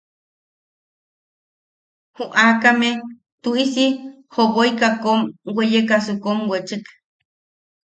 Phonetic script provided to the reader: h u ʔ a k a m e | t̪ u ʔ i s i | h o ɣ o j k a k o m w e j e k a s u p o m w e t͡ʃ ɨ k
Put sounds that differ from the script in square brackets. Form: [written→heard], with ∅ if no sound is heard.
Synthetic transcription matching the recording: h u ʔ a k a m e | t̪ u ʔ i s i | h o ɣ o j k a k o m w e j e k a s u [p→k] o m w e t͡ʃ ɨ k